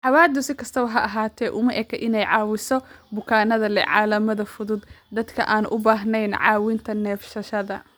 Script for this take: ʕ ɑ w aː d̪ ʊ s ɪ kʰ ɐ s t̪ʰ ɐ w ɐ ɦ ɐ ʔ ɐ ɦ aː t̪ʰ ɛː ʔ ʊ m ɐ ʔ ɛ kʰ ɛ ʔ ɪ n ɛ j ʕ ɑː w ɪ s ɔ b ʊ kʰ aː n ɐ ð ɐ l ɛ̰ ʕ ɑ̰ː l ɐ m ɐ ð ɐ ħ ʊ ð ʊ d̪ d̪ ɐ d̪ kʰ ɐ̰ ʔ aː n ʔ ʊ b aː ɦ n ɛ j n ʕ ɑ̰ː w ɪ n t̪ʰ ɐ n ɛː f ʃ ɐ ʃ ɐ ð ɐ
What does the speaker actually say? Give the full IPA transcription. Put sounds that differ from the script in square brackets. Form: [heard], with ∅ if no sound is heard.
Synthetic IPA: ʕ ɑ w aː d̪ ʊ s ɪ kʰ ɐ s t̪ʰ ɐ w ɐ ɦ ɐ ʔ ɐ ɦ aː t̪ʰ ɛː ʔ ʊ m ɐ ʔ ɛ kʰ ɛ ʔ ɪ n ɛ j ʕ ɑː w ɪ s ɔ b ʊ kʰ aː n ɐ ð ɐ l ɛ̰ ʕ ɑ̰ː l ɐ m ɐ ð ɐ [f] ʊ ð ʊ d̪ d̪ ɐ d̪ kʰ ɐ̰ ʔ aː n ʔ ʊ b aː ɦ n ɛ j n ʕ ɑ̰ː w ɪ n t̪ʰ ɐ n ɛː f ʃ ɐ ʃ ɐ ð ɐ